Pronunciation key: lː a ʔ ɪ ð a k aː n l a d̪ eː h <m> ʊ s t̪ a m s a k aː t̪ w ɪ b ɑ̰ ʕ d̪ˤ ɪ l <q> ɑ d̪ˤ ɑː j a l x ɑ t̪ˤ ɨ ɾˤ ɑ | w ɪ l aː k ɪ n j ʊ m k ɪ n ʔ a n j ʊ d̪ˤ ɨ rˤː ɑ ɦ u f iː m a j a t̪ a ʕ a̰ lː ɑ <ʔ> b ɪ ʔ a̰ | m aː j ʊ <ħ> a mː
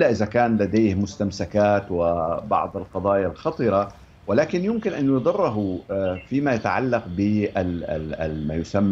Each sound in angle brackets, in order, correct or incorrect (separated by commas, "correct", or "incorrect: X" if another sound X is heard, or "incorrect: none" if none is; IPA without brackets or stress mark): correct, correct, incorrect: q, incorrect: s